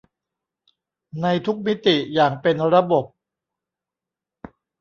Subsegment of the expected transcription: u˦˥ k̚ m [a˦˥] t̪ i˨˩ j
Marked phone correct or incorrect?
incorrect